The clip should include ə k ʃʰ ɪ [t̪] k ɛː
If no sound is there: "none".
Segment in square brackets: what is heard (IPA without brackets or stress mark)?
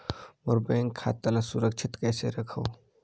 t̪